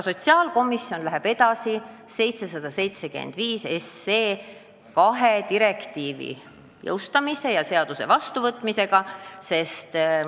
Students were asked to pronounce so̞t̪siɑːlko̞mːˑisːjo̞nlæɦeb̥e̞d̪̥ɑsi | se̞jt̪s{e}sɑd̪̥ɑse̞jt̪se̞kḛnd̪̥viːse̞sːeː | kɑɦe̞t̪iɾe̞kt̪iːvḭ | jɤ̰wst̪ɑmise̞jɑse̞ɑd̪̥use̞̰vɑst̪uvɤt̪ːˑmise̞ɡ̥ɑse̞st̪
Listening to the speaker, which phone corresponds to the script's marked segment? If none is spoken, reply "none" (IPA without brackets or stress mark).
e